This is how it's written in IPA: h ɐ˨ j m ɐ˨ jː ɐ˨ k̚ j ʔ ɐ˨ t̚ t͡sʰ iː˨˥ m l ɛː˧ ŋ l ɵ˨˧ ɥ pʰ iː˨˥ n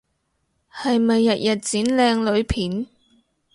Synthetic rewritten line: h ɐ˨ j m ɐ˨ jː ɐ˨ t̚ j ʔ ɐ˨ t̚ t͡s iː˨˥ n l ɛː˧ ŋ l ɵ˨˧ ɥ pʰ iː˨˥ n